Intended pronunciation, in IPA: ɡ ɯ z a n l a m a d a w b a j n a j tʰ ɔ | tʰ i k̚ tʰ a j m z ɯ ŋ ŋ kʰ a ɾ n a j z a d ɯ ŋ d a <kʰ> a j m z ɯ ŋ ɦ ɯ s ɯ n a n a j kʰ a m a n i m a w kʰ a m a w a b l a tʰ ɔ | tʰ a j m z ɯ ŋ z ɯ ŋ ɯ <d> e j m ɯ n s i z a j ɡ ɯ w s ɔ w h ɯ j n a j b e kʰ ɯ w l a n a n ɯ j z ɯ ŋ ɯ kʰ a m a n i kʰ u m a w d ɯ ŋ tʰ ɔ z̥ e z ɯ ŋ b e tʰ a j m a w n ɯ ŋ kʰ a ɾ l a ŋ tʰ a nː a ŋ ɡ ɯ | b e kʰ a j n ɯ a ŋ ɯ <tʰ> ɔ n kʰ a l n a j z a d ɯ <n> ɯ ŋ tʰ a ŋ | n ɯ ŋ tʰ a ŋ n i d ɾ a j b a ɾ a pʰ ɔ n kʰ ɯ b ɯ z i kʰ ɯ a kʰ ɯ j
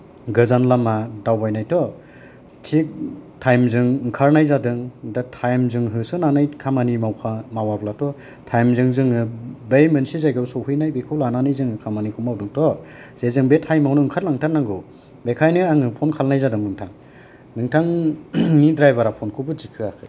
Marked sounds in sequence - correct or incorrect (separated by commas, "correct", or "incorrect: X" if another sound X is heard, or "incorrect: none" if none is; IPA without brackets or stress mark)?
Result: incorrect: tʰ, incorrect: b, incorrect: pʰ, incorrect: ŋ